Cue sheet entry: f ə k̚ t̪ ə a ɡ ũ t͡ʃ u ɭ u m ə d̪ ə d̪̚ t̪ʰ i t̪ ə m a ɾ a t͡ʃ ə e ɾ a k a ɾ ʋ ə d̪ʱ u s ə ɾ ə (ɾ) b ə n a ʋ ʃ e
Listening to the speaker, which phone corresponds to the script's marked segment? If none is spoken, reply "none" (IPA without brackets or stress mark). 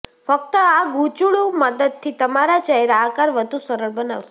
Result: ɭ